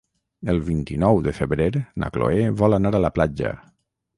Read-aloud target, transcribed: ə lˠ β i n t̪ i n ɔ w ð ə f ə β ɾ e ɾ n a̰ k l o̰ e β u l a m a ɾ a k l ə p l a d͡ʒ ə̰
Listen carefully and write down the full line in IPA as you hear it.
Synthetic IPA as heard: ə lˠ β i n t̪ i n ɔ w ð ə f ə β ɾ e ɾ n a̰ k l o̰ e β ɔ l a n a ɾ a l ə p l a d͡ʒ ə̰